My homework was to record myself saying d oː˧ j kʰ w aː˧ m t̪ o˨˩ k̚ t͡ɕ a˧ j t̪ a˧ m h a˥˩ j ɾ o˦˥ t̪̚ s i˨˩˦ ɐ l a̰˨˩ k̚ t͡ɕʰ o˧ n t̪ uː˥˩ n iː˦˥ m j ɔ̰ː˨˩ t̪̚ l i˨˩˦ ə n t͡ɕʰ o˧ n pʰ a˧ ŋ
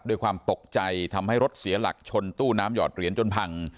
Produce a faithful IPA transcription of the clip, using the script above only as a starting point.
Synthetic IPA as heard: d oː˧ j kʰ w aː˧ m t̪ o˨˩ k̚ t͡ɕ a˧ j t̪ʰ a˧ m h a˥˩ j ɾ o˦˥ t̪̚ s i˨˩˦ ɐ l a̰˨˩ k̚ t͡ɕʰ o˧ n t̪ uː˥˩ n aː˦˥ m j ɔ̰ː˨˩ t̪̚ ɾ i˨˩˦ ə n t͡ɕ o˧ n pʰ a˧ ŋ